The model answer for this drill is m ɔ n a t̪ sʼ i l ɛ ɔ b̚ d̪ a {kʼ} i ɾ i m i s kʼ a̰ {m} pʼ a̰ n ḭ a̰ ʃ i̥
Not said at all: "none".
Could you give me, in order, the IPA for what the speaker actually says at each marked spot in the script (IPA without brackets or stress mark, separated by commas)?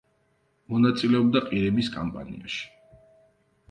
qʼ, m